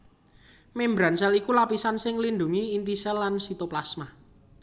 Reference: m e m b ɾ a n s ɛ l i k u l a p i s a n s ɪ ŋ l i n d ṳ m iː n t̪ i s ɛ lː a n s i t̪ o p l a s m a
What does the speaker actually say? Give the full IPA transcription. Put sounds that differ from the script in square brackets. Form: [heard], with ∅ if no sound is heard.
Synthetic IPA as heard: m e m b ɾ a n s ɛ l i k u l a p i s a n s ɪ ŋ l i n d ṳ [ŋ] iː n t̪ i s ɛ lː a n s i t̪ o p l a s m a